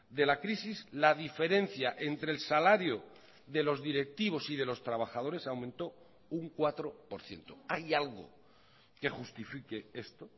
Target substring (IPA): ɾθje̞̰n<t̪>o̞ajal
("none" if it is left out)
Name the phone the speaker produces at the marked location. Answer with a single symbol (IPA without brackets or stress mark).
t̪